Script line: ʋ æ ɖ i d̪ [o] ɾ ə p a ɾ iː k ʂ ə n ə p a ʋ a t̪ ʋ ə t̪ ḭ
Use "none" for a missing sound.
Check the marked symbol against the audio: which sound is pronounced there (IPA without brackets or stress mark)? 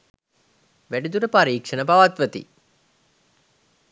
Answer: u